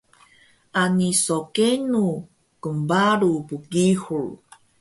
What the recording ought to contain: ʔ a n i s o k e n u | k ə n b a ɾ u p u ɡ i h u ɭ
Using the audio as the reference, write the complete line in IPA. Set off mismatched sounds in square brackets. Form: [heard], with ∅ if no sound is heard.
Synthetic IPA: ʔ a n i s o k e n u | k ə [m] b a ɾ u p u ɡ i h u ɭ